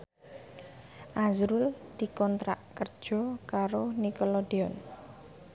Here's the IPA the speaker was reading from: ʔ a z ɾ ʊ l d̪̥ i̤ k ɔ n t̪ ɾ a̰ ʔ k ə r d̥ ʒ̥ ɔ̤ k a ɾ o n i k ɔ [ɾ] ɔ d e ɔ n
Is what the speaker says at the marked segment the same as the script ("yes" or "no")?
no